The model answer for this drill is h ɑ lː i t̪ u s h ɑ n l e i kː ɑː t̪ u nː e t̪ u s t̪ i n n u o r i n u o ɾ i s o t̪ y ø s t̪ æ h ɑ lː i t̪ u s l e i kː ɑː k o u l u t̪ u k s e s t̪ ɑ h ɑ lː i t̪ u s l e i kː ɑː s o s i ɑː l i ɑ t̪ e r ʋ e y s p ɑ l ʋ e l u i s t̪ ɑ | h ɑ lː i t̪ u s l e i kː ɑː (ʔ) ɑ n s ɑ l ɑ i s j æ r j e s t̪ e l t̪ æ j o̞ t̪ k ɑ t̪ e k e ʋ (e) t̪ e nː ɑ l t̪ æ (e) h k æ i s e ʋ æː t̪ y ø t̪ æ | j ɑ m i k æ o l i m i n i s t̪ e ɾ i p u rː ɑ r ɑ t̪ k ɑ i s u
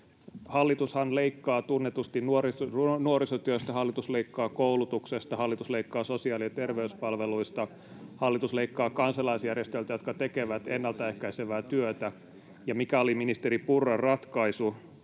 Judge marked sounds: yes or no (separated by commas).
no, no, yes